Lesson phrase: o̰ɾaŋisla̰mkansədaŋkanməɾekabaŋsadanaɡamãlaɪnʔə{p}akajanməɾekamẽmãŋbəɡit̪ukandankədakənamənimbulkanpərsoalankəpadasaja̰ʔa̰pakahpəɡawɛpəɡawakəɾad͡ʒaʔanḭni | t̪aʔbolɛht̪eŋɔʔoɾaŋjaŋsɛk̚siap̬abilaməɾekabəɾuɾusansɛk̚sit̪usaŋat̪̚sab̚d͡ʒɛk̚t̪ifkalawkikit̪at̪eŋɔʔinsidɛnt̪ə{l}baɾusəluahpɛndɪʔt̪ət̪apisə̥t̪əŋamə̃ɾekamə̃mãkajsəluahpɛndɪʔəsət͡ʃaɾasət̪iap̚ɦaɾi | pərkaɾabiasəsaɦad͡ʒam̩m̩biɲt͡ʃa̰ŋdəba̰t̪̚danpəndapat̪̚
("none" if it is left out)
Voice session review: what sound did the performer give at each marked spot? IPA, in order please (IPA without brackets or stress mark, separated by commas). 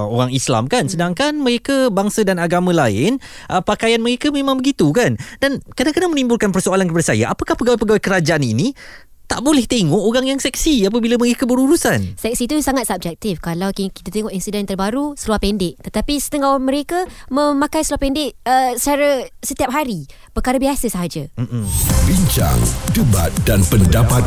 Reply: p, r